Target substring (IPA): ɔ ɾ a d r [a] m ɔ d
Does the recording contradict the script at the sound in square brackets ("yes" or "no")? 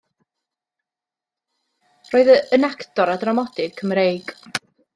no